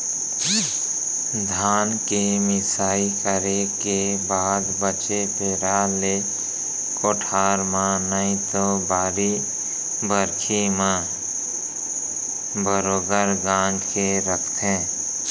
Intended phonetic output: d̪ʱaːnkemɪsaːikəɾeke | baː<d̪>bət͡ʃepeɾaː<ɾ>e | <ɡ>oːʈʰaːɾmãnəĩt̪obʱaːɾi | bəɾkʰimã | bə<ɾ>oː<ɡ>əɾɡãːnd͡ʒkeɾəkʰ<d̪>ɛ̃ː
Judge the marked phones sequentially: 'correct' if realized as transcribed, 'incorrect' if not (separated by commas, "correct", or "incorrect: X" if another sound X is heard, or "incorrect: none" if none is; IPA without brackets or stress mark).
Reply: correct, incorrect: l, incorrect: k, correct, correct, incorrect: t̪